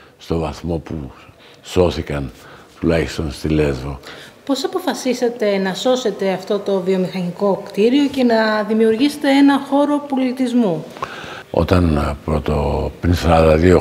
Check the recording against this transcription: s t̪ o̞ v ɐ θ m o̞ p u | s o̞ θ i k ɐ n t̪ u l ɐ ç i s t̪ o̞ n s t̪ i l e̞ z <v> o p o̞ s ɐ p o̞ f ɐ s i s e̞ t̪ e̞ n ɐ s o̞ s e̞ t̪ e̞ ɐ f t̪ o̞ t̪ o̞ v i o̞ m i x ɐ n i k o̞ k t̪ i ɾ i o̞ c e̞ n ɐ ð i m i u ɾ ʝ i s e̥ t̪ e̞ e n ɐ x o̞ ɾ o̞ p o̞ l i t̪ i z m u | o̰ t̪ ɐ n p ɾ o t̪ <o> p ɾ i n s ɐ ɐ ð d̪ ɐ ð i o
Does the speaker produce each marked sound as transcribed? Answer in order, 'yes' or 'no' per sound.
yes, yes

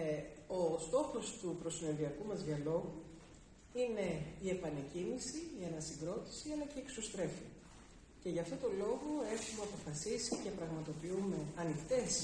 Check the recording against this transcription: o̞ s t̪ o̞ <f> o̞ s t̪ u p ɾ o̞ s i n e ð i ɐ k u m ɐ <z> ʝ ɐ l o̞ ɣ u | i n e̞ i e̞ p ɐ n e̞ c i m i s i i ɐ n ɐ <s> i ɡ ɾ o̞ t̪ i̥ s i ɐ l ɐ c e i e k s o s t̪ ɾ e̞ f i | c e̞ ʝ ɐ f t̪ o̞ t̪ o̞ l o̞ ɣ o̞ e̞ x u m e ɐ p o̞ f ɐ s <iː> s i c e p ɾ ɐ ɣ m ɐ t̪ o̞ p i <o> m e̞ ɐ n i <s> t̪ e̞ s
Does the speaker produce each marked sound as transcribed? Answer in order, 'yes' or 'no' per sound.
no, yes, yes, no, no, no

